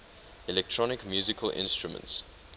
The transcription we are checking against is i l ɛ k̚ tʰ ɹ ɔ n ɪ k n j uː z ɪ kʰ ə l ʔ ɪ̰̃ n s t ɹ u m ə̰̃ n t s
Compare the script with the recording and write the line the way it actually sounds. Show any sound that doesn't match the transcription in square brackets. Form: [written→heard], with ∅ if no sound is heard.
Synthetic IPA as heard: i l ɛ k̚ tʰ ɹ ɔ n ɪ k [n→m] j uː z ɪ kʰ ə l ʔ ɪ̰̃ n s t ɹ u m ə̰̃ n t s